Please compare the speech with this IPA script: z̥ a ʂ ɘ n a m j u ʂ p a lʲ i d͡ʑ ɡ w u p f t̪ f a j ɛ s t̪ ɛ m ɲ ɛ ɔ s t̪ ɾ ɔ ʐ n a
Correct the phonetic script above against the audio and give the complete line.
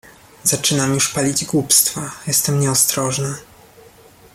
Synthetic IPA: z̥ a t͡ʂ ɘ n a m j u ʂ p a lʲ i d͡ʑ ɡ w u p s t̪ f a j ɛ s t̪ ɛ m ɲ ɛ ɔ s t̪ ɾ ɔ ʐ n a